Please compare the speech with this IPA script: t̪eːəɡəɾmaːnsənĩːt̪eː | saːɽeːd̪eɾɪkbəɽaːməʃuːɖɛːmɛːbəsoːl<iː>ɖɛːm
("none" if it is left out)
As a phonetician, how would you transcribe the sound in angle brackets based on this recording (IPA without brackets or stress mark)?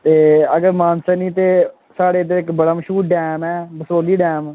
iː